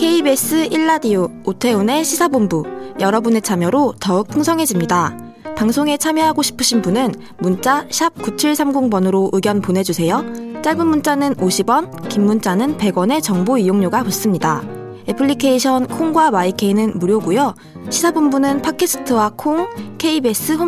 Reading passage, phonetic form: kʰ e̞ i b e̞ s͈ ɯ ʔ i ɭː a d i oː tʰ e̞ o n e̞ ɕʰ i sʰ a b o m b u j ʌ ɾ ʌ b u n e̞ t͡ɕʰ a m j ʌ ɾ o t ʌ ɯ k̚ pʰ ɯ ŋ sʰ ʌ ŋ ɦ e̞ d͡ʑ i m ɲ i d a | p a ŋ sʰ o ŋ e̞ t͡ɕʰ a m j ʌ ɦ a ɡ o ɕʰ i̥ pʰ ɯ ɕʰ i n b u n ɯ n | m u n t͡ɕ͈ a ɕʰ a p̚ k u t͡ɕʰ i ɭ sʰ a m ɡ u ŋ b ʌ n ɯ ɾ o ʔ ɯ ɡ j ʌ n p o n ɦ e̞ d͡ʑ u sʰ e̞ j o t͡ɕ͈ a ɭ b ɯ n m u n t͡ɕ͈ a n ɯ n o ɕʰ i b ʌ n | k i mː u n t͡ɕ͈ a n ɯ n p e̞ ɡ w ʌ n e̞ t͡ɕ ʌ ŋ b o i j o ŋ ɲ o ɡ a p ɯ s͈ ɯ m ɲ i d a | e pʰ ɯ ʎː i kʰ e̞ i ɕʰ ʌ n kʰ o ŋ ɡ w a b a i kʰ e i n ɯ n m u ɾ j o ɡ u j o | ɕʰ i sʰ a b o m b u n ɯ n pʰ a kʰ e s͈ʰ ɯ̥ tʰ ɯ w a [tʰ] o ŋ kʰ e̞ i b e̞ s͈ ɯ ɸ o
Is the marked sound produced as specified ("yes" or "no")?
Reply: no